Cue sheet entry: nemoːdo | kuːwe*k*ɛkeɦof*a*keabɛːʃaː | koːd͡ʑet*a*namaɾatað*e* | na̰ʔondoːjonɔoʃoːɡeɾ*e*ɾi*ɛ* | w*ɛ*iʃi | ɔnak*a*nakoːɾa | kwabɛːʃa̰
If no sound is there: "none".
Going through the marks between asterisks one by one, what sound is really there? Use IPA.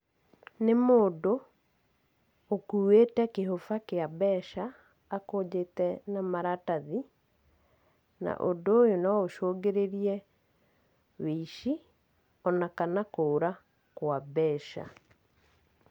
t, a, ɛ, i, e, ɛ, e, a

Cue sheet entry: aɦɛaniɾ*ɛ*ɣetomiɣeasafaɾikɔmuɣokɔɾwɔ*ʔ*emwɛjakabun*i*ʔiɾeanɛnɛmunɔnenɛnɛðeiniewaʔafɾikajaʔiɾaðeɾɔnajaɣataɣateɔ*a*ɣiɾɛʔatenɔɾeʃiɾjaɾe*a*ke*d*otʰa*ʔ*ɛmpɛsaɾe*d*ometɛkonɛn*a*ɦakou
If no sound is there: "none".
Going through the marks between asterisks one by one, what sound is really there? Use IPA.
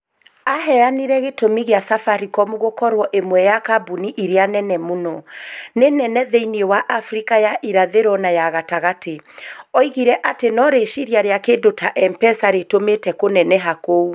ɛ, ʔ, i, i, a, d, ʔ, t, ɛ

